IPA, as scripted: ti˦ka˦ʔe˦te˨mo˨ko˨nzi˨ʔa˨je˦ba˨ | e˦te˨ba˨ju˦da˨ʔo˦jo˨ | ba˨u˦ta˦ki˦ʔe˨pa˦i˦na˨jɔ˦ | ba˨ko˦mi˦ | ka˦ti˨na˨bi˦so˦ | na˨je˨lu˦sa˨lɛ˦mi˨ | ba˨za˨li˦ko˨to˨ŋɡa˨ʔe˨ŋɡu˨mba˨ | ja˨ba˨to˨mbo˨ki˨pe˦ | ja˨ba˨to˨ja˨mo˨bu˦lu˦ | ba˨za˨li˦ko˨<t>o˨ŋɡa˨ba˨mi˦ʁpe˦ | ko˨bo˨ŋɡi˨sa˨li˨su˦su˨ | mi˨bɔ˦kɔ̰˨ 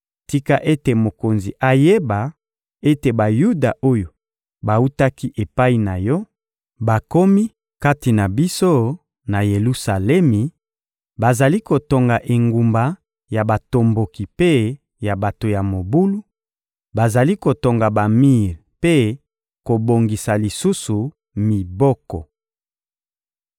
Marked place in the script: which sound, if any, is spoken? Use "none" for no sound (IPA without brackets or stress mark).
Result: t